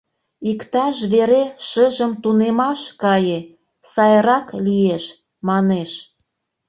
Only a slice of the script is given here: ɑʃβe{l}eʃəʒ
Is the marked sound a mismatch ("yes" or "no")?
yes